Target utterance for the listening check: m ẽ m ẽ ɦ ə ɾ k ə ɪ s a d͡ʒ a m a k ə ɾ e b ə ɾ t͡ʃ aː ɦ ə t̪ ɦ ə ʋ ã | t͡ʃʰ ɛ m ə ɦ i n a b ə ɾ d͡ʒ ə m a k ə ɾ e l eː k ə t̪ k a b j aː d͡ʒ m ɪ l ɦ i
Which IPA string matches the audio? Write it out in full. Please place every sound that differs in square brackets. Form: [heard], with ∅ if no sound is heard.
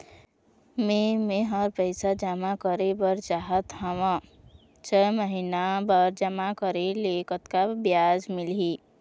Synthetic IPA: m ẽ m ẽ ɦ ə ɾ [p] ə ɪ s a d͡ʒ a m a k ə ɾ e b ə ɾ t͡ʃ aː ɦ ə t̪ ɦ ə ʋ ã | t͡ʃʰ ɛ m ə ɦ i n a b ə ɾ d͡ʒ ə m a k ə ɾ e l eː k ə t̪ k a b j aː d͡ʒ m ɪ l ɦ i